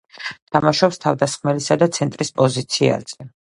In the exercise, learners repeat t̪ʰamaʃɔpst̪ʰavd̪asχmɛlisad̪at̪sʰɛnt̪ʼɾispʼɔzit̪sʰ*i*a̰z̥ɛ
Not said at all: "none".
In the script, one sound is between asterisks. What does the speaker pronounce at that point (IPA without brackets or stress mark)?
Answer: i